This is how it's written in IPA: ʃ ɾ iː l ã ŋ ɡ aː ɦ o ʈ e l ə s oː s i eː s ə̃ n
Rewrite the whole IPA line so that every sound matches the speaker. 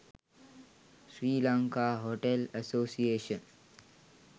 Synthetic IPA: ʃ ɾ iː l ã ŋ k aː ɦ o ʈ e l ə s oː s i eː ʃ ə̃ n